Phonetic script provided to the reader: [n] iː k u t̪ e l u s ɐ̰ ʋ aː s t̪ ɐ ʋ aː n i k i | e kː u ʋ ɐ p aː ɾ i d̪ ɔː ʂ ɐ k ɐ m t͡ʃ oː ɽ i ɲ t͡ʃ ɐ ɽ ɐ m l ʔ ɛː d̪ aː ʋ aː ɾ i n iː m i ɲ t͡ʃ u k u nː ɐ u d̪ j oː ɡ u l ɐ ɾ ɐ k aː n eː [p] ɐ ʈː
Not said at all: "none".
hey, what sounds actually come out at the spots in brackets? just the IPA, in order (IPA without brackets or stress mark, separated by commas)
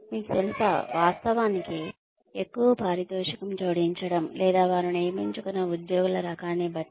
m, b